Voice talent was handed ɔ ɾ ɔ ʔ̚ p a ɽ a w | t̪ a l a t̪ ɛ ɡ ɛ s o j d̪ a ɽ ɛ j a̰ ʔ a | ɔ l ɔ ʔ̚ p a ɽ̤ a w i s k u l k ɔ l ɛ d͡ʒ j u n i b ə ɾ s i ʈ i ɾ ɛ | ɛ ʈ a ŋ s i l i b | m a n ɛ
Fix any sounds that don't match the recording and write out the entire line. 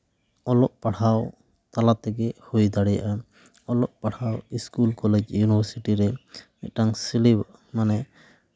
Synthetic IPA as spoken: ɔ l ɔ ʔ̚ p a ɽ a w | t̪ a l a t̪ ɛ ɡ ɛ h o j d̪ a ɽ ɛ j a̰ ʔ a | ɔ l ɔ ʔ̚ p a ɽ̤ a w i s k u l k ɔ l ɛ d͡ʒ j u n i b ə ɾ s i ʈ i ɾ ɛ | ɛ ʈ a ŋ s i l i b | m a n ɛ